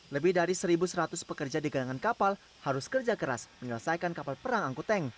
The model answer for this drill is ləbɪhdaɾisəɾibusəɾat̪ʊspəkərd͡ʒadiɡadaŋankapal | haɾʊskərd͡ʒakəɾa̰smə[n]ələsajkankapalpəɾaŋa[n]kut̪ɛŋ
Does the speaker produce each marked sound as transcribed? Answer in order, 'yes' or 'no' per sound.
no, no

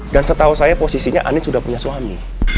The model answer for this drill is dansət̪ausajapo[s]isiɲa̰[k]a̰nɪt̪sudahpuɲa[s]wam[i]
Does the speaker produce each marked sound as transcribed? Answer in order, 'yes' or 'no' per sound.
yes, no, yes, yes

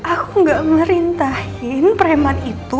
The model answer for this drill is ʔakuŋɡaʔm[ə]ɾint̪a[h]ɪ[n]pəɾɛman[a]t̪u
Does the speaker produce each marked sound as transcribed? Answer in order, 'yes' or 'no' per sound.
yes, yes, yes, no

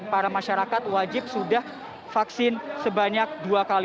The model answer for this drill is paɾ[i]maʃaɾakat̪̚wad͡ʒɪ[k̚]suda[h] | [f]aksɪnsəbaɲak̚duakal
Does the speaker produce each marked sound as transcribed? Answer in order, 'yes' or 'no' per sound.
no, no, yes, yes

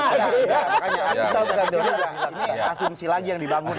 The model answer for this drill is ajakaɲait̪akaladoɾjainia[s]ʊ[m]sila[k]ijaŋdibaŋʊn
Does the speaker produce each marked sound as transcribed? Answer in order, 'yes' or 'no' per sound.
yes, yes, no

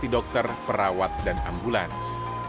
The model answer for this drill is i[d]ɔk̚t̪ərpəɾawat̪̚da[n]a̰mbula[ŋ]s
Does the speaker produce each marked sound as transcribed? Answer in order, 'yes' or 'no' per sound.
yes, yes, no

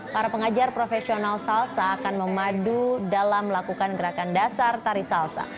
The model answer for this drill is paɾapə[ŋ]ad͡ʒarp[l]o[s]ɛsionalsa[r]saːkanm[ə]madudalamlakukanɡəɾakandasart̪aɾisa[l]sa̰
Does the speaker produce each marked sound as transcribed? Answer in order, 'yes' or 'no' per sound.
yes, no, no, no, yes, yes

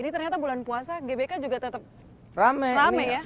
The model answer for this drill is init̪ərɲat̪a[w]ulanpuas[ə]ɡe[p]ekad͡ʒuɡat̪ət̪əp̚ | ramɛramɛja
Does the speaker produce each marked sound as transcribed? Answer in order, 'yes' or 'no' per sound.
no, no, no

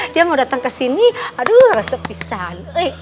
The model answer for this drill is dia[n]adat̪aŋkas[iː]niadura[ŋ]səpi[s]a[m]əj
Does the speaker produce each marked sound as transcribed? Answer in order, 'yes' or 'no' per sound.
no, no, no, yes, no

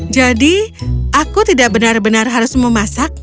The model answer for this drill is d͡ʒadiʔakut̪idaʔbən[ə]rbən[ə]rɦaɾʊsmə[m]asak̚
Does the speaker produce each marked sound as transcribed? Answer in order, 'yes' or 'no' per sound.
no, no, yes

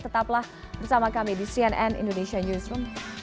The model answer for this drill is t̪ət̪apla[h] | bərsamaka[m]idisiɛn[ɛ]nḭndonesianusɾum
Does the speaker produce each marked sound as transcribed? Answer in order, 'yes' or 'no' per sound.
yes, yes, yes

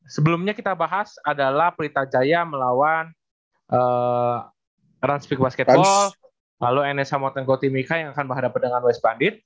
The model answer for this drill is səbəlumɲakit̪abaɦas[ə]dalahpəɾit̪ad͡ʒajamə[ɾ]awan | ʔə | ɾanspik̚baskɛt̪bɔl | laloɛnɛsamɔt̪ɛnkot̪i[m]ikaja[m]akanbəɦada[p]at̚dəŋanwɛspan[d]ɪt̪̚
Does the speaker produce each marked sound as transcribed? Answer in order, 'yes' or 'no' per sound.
no, no, yes, no, yes, yes

